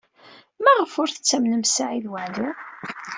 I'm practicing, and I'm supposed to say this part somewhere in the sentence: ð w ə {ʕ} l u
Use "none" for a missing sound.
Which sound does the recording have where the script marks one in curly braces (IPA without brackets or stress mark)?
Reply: ʕ